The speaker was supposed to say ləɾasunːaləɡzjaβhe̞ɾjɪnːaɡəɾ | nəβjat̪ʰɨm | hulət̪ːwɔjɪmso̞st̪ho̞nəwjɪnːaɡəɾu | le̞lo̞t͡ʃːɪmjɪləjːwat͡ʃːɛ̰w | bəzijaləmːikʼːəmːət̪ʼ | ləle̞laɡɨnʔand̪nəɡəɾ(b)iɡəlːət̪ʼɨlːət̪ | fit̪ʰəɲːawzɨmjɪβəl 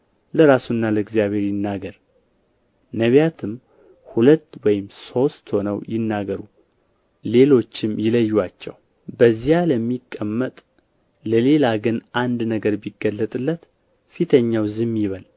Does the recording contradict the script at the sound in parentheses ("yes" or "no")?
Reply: no